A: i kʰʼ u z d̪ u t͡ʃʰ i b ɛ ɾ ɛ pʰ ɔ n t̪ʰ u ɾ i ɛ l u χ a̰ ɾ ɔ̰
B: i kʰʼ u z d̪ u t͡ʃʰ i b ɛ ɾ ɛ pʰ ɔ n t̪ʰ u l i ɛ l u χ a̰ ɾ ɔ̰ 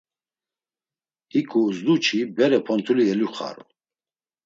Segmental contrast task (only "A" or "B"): B